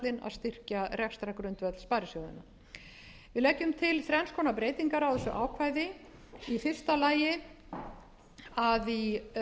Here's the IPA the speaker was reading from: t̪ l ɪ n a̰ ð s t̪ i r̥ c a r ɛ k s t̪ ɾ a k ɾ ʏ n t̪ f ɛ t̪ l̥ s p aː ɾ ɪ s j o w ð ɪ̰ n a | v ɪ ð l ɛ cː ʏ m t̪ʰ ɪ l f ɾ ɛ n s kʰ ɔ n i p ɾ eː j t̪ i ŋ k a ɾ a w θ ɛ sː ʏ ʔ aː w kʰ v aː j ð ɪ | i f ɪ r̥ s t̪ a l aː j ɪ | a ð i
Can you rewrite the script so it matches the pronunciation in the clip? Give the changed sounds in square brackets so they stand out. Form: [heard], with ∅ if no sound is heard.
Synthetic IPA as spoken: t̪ l ɪ n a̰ ð s t̪ [ɪ] r̥ c a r ɛ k s t̪ ɾ a k ɾ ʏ n t̪ [v] ɛ t̪ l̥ s p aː ɾ ɪ s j o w ð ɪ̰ n a | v ɪ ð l ɛ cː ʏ m t̪ʰ ɪ l [θ] ɾ ɛ n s kʰ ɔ n [a] p ɾ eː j t̪ i ŋ k a ɾ a w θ ɛ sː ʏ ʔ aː w kʰ v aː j ð ɪ | i f ɪ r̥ s t̪ a l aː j ɪ | a ð i

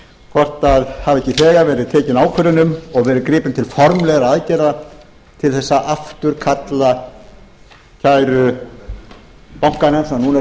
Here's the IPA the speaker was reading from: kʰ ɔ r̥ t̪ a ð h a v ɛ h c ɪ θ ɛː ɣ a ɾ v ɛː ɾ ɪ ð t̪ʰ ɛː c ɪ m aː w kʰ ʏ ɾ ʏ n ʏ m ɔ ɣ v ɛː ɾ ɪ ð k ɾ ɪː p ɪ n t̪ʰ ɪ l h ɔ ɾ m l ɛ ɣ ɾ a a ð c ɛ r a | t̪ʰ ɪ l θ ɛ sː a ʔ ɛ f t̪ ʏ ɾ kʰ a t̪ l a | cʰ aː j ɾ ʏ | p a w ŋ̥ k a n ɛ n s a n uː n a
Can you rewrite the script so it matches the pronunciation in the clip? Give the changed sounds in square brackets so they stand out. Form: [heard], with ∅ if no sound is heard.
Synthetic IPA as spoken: kʰ ɔ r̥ t̪ a ð h a v ɛ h c ɪ θ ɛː ɣ a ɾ v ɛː ɾ ɪ ð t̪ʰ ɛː c ɪ [n] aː w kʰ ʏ ɾ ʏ n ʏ m ɔ ɣ v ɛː ɾ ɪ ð k ɾ ɪː p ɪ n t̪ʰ ɪ l [f] ɔ ɾ m l ɛ ɣ ɾ a a ð c ɛ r a | t̪ʰ ɪ l θ ɛ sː a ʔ [a] f t̪ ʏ ɾ kʰ a t̪ l a | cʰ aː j ɾ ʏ | p a w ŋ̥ k a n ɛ n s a n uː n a

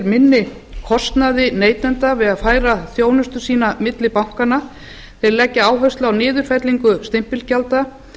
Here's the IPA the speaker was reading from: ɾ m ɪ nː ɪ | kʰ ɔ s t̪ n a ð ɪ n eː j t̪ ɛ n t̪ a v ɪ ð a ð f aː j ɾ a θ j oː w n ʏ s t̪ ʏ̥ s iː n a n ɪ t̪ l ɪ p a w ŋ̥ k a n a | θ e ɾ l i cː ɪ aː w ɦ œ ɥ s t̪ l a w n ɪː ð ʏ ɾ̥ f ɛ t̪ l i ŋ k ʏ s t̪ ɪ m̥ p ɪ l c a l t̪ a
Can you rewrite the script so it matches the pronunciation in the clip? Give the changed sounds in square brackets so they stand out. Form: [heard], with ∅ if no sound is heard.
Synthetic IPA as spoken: ɾ m ɪ nː ɪ | kʰ ɔ s t̪ n a ð ɪ n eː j t̪ ɛ n t̪ a v ɪ ð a ð f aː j ɾ a θ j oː w n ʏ s t̪ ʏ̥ s iː n a [m] ɪ t̪ l ɪ p a w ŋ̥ k a n a | θ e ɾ l [ɛ] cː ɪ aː w ɦ œ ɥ s t̪ l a w n ɪː ð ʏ ɾ̥ f ɛ t̪ l i ŋ k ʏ s t̪ ɪ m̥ p ɪ l c a l t̪ a

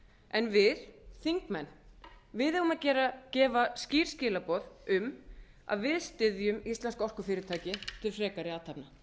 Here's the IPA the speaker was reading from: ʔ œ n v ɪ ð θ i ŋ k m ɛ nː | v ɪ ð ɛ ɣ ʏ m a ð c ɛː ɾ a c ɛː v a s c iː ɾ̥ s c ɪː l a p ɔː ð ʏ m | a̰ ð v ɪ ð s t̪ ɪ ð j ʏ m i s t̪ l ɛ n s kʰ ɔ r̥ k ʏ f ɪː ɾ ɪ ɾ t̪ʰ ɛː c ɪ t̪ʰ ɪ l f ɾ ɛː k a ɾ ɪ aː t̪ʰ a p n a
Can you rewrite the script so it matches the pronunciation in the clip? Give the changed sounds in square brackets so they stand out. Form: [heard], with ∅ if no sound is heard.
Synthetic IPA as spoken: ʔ [ɛ] n v ɪ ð θ i ŋ k m ɛ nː | v ɪ ð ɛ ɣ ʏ m a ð c ɛː ɾ a c ɛː v a s c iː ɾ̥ s c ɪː l a p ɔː ð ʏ m | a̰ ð v ɪ ð s t̪ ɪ ð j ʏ m i s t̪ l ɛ n s [k] ɔ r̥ k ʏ f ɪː ɾ ɪ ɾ t̪ʰ [aː] c ɪ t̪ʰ ɪ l f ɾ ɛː k a ɾ ɪ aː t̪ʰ a p n a

